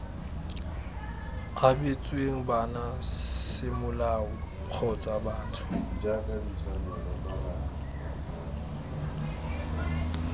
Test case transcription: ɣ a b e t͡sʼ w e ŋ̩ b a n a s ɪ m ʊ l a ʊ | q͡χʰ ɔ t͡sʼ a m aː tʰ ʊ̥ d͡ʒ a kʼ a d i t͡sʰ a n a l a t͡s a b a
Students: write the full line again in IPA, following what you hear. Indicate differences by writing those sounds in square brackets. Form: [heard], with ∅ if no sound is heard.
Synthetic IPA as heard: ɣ a b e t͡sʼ w e ŋ̩ b a n a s ɪ m ʊ l a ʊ | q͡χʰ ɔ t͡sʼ a [b] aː tʰ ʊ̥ d͡ʒ a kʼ a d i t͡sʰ a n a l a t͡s a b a